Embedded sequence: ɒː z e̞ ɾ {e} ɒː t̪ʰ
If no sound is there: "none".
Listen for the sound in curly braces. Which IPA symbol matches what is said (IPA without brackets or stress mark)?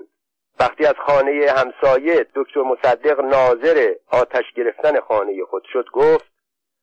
e